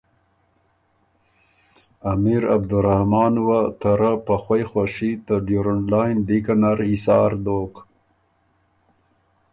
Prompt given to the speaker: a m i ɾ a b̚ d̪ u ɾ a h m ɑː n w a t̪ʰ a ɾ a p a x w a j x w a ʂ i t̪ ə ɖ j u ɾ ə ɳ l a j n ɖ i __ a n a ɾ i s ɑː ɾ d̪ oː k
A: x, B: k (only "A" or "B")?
B